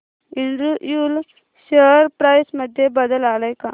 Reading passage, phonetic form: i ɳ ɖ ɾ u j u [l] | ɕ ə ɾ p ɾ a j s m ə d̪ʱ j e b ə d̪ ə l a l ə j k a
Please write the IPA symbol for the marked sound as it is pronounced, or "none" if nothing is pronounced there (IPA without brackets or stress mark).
l